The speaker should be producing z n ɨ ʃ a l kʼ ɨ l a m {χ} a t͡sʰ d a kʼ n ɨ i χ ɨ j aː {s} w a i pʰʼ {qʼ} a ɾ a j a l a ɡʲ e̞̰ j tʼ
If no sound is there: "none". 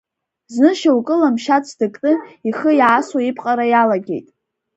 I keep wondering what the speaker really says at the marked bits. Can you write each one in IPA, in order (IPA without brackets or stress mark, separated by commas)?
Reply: ʃ, s, qʼ